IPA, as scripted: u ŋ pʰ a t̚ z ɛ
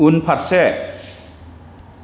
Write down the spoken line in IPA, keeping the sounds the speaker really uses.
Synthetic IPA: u n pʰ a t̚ s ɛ

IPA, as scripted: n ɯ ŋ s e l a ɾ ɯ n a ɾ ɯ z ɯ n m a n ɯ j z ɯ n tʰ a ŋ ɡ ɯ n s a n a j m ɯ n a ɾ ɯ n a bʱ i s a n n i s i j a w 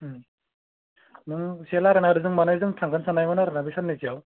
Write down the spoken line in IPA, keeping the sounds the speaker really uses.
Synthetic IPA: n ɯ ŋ s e l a ɾ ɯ n a ɾ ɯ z ɯ ŋ m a n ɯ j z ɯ ŋ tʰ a ŋ ɡ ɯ n s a n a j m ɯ n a ɾ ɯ n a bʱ i s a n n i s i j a w

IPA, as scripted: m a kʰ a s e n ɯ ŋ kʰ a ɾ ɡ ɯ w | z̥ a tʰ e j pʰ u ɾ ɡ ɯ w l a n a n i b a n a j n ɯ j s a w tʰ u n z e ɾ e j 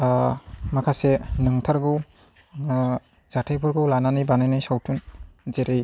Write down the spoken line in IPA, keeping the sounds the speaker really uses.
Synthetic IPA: m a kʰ a s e n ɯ ŋ tʰ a ɾ ɡ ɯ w | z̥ a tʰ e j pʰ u ɾ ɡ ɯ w l a n a n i b a n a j n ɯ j s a w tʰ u n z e ɾ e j

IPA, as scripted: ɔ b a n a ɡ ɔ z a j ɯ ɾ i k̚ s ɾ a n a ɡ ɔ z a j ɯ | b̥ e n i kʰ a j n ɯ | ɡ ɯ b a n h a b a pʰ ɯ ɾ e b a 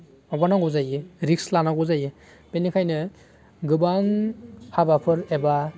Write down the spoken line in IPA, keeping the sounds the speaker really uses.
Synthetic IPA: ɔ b a n a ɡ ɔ z a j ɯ ɾ i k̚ s l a n a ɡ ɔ z a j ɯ | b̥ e n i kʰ a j n ɯ | ɡ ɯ b a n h a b a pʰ ɯ ɾ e b a

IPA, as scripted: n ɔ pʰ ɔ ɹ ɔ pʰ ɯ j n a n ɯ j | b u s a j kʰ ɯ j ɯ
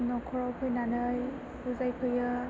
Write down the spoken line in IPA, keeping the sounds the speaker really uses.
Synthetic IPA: n ɔ kʰ ɔ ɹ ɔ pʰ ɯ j n a n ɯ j | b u z a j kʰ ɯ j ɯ

